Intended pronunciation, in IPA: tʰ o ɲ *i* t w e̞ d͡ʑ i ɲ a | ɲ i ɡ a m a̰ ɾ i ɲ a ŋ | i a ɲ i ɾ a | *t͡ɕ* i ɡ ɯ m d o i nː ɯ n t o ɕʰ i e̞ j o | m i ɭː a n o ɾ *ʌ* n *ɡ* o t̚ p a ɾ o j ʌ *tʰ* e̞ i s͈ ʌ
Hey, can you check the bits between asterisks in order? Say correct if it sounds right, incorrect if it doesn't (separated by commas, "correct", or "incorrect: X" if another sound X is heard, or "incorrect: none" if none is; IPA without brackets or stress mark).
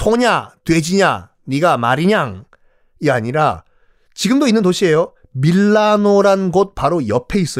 incorrect: a, correct, incorrect: a, correct, incorrect: pʰ